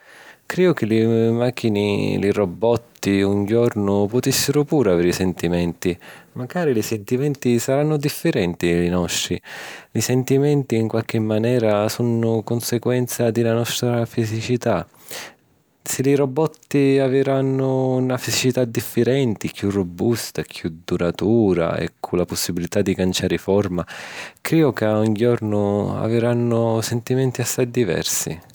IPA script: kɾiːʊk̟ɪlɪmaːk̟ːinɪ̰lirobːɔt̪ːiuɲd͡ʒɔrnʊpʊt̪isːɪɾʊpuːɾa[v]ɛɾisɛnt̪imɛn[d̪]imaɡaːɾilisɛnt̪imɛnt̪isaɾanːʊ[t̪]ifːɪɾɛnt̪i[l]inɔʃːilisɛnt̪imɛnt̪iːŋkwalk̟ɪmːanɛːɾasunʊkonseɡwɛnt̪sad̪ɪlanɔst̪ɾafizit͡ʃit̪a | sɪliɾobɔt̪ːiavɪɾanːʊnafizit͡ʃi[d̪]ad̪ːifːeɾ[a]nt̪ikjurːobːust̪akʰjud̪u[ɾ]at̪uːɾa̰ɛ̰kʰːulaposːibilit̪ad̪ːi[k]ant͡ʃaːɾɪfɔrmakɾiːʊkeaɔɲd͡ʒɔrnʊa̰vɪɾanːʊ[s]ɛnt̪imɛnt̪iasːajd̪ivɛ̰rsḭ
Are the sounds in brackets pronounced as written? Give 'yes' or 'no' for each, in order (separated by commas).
yes, no, no, yes, no, no, yes, yes, yes